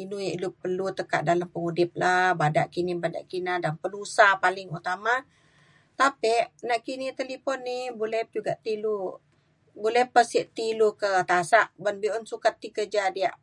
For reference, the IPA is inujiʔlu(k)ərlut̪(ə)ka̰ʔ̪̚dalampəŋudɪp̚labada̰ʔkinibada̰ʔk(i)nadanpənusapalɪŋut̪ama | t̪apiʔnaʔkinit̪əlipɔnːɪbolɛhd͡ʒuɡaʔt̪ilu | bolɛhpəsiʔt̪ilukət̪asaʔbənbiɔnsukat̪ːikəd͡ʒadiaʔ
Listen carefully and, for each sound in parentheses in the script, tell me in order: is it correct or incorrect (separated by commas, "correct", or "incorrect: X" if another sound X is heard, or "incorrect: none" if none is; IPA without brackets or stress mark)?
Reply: incorrect: p, correct, correct